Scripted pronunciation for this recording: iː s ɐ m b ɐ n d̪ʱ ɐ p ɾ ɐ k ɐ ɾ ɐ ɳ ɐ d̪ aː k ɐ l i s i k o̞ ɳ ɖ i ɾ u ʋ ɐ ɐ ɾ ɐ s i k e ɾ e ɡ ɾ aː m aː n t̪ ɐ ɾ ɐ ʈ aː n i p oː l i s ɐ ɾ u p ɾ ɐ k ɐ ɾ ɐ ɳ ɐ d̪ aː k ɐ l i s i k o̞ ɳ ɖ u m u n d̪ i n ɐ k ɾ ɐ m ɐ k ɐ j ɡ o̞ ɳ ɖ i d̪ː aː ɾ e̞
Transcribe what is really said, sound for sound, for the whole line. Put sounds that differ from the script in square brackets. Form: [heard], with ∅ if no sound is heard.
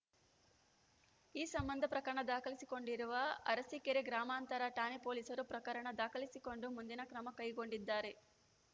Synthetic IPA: iː s ɐ m b ɐ n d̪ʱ ɐ p ɾ ɐ k ɐ ɾ ɐ ɳ ɐ d̪ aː k ɐ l i s i k o̞ ɳ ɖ i ɾ u ʋ ɐ ɐ ɾ ɐ s i k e ɾ e ɡ ɾ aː m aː n t̪ ɐ ɾ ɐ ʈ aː n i p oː l i s ɐ ɾ u p ɾ ɐ k ɐ ɾ ɐ ɳ ɐ d̪ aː k ɐ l i s i k o̞ ɳ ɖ u m u n d̪ i n ɐ k ɾ ɐ m ɐ k ɐ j ɡ o̞ ɳ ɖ i d̪ː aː ɾ e̞